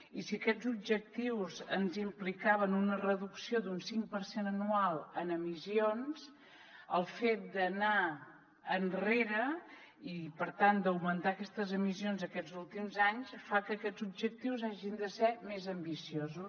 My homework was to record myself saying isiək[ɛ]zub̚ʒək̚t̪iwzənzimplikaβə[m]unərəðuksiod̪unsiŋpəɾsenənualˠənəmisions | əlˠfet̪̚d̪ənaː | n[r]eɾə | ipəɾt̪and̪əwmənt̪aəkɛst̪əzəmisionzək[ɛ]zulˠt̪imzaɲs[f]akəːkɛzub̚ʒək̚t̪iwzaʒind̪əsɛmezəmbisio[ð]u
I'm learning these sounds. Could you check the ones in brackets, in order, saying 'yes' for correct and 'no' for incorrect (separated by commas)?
yes, no, yes, yes, yes, no